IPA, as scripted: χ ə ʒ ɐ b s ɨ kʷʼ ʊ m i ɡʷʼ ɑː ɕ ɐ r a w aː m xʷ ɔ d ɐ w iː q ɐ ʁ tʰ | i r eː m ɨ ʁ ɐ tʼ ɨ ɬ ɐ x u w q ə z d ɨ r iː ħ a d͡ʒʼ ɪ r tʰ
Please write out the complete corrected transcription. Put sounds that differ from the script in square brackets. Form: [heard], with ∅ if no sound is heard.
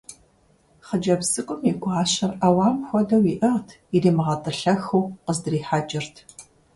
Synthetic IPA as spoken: χ ə [d͡ʒ] ɐ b s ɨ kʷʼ ʊ m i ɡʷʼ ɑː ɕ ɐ r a w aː m xʷ ɔ d ɐ w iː [ʔ] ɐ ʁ tʰ | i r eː m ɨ ʁ ɐ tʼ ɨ ɬ ɐ x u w q ə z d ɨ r iː ħ a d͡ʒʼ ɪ r tʰ